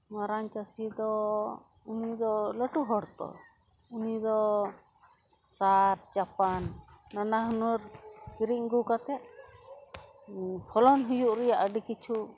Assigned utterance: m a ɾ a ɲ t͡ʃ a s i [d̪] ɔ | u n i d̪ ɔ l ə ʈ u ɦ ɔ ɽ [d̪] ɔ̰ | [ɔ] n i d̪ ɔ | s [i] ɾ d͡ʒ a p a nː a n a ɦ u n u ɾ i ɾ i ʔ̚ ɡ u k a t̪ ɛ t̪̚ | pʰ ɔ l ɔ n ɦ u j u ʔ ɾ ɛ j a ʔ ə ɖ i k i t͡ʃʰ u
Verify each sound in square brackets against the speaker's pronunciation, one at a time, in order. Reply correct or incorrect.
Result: correct, incorrect, incorrect, incorrect

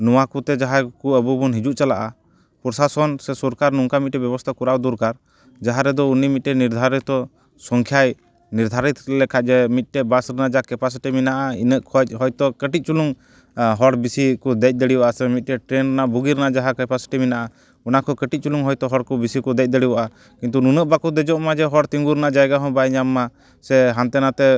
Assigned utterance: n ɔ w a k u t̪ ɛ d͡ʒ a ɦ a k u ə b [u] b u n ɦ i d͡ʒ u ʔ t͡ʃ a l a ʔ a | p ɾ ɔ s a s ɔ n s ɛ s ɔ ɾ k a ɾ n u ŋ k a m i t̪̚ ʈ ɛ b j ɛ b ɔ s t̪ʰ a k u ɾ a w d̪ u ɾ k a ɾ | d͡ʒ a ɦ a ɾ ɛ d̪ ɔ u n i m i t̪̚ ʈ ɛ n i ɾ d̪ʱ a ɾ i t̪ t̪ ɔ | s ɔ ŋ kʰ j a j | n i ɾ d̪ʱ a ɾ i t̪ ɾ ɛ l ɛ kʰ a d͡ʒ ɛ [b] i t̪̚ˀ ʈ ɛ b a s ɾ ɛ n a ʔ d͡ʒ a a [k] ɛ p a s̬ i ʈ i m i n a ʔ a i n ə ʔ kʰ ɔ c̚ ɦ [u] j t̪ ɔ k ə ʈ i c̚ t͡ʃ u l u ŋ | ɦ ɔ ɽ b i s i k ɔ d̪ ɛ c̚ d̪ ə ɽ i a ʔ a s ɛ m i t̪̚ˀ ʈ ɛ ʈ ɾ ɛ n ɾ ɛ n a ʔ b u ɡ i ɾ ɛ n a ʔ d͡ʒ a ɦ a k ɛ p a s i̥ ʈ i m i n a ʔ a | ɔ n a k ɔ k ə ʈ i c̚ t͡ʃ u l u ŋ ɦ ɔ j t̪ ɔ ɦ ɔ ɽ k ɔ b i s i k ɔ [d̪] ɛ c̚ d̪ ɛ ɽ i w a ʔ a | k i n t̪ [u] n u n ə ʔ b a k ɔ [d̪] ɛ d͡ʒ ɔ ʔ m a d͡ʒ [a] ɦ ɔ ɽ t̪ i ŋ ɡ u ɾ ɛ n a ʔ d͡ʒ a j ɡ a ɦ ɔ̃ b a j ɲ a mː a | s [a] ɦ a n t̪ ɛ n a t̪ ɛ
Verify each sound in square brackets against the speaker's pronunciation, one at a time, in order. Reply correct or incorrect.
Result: correct, incorrect, correct, incorrect, correct, correct, correct, incorrect, incorrect

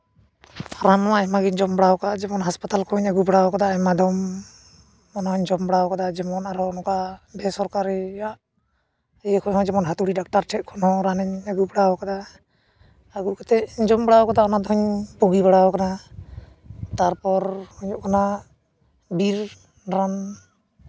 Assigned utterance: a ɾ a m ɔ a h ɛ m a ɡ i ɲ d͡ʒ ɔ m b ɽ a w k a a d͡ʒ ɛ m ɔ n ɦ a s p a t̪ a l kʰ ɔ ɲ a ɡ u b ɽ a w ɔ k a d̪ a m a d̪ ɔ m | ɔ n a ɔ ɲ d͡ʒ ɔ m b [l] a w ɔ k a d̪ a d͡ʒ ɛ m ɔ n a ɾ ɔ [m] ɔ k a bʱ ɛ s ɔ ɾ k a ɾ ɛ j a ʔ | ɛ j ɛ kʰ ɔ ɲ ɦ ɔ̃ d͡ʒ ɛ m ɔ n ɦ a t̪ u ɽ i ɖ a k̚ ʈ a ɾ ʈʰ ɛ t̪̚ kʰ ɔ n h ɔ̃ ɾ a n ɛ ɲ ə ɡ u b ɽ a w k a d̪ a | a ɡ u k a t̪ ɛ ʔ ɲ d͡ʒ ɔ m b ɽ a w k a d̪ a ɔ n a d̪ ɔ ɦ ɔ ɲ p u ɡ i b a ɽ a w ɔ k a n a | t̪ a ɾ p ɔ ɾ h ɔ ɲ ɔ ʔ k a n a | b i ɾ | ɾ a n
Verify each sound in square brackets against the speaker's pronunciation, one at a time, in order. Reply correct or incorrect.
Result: incorrect, incorrect

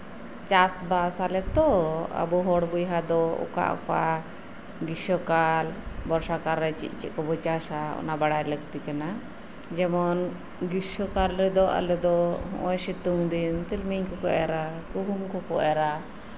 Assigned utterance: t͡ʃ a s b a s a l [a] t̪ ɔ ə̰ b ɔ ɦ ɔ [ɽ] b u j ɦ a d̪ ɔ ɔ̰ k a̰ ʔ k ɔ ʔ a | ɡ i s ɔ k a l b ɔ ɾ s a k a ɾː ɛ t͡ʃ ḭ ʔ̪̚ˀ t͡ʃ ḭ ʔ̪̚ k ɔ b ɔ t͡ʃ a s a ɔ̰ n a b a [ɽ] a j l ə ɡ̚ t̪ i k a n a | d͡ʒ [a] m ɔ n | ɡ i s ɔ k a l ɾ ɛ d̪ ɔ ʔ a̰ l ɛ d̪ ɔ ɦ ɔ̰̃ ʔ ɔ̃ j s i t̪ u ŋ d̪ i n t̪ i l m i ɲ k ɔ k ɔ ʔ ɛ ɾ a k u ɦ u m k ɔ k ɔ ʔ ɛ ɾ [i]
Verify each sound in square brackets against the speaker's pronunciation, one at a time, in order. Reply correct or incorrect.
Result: incorrect, correct, correct, incorrect, incorrect

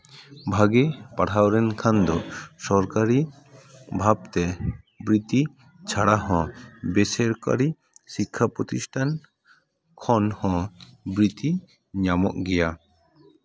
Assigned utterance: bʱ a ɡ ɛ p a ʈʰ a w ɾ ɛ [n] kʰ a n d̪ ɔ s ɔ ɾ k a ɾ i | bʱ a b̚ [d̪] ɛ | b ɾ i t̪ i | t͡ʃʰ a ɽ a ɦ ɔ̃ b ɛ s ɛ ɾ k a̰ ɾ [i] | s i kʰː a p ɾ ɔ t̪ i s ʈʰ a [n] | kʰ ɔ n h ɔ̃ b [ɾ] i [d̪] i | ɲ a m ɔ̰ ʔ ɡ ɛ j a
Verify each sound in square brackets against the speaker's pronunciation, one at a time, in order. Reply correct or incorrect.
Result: correct, incorrect, correct, correct, correct, incorrect

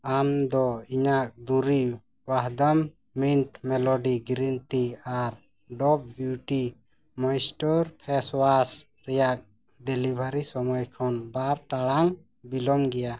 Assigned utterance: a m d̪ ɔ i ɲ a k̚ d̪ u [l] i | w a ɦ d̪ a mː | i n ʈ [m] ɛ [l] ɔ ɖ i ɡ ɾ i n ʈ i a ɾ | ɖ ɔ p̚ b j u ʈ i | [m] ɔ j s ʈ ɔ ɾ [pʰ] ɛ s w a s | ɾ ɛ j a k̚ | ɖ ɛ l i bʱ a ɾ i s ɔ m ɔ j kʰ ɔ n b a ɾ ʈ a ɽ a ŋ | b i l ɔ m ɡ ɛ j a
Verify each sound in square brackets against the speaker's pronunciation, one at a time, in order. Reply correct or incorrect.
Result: incorrect, correct, correct, correct, correct

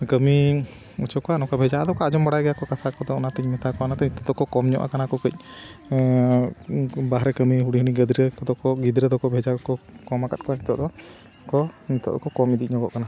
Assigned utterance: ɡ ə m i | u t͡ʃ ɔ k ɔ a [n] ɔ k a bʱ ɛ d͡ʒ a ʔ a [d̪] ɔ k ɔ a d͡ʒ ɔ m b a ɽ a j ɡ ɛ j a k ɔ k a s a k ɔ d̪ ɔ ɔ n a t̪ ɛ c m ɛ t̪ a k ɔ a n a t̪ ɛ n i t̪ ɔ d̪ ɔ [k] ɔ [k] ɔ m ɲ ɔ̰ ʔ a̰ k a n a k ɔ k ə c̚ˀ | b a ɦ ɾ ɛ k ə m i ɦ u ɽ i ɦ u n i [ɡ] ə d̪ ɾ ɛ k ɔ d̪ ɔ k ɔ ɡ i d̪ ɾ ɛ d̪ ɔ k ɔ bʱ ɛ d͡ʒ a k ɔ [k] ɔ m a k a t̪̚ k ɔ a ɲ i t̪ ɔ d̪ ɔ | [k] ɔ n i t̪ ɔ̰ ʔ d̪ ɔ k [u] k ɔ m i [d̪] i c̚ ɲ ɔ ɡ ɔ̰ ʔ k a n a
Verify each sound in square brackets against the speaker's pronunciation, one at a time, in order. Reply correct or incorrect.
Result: correct, correct, correct, correct, correct, correct, correct, incorrect, correct

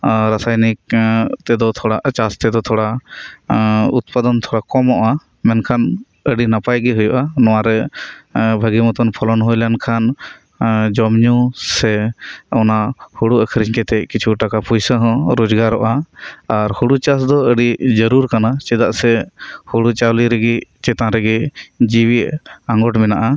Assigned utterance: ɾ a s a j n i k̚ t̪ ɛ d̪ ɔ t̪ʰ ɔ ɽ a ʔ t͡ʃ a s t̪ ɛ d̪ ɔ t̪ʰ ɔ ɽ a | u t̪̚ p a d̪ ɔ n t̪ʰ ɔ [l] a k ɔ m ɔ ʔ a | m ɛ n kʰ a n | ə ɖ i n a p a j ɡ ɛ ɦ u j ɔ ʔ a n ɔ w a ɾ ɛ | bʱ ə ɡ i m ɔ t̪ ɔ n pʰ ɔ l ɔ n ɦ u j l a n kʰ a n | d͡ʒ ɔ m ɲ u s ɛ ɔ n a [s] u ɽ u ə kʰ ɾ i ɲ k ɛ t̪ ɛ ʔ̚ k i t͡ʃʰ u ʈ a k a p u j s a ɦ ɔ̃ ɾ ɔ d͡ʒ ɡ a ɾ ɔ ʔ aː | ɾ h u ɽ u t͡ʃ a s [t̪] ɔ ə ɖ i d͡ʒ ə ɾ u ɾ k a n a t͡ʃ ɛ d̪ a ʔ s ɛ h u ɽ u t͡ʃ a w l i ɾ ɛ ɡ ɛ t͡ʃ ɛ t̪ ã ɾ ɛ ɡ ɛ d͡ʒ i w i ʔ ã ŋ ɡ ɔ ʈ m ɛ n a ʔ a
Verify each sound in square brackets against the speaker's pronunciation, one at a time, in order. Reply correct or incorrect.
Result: incorrect, incorrect, incorrect

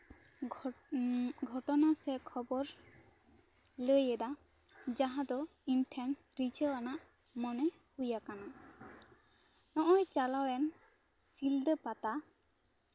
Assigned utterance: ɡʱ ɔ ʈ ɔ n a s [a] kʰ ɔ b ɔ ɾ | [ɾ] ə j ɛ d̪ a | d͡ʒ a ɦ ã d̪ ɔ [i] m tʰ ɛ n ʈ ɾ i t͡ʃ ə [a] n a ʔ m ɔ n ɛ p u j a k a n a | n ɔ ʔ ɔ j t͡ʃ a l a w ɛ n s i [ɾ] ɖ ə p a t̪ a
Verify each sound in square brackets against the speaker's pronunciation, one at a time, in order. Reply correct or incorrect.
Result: incorrect, incorrect, correct, correct, incorrect

